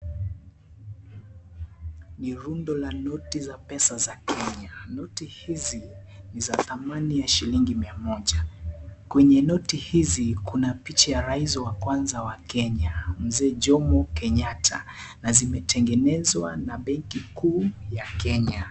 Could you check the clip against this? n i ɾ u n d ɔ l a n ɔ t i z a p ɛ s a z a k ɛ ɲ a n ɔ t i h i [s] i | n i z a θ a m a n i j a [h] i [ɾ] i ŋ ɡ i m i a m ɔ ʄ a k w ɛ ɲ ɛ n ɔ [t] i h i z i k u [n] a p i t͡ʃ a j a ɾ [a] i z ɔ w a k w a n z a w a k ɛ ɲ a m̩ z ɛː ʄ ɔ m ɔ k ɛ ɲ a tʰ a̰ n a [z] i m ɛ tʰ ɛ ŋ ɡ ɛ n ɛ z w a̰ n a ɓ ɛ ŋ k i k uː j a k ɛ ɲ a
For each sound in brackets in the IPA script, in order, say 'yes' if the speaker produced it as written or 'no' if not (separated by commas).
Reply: no, no, no, yes, yes, yes, yes